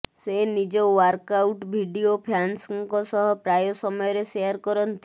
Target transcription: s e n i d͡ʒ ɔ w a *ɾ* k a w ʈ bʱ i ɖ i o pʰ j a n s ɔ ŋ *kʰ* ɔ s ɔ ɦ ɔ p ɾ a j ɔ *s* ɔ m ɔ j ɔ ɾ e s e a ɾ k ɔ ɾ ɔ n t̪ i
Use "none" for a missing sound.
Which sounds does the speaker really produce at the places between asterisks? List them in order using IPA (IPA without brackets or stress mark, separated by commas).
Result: ɾ, k, s